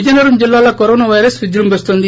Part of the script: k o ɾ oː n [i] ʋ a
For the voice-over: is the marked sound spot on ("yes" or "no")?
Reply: no